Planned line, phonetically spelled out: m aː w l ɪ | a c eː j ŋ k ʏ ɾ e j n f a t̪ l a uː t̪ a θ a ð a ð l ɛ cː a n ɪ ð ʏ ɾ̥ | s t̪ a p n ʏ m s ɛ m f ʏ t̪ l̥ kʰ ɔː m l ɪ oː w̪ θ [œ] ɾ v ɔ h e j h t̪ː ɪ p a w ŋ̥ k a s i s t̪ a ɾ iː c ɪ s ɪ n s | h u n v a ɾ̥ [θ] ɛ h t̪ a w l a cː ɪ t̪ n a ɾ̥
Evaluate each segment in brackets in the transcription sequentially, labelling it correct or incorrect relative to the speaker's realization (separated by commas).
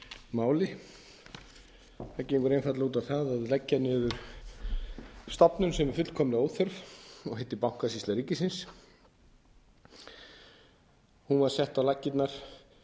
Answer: correct, incorrect